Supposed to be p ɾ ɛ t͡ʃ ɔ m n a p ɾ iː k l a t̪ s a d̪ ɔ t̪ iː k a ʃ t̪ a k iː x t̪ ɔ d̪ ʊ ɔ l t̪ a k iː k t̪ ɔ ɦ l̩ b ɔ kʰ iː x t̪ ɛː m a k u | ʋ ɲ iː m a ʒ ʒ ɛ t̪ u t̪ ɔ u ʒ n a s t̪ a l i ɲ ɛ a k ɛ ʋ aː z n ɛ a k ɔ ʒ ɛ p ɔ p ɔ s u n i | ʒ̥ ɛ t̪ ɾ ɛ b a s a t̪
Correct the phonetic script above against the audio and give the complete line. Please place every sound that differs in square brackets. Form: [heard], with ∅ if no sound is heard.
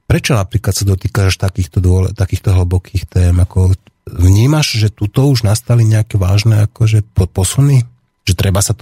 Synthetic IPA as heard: p ɾ ɛ t͡ʃ ɔ [∅] n a p ɾ iː k l a t̪ s a d̪ ɔ t̪ iː k a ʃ t̪ a k iː x t̪ ɔ d̪ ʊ ɔ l t̪ a k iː [x] t̪ ɔ ɦ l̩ b ɔ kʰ iː x t̪ ɛː m a k [ɔ] | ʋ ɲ iː m a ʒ ʒ ɛ t̪ u t̪ ɔ u ʒ n a s t̪ a l i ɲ ɛ a k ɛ ʋ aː [ʒ] n ɛ a k ɔ ʒ ɛ p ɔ p ɔ s u n i | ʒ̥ ɛ t̪ ɾ ɛ b a s a t̪